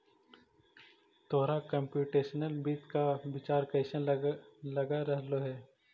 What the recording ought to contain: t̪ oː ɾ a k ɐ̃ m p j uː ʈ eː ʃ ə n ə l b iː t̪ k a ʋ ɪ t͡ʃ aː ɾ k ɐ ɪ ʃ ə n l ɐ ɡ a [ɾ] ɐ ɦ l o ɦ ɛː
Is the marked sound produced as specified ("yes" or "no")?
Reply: yes